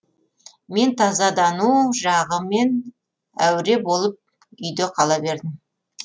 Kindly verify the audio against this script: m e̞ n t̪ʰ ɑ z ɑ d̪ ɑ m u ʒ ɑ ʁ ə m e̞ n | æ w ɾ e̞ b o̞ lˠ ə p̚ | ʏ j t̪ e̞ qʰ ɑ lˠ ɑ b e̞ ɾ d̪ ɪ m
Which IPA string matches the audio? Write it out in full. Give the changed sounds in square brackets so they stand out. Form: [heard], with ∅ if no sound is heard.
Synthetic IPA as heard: m e̞ n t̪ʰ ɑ z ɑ d̪ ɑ [n] u ʒ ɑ ʁ ə m e̞ n | æ w ɾ e̞ b o̞ lˠ ə p̚ | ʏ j [d̪] e̞ qʰ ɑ lˠ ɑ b e̞ ɾ d̪ ɪ m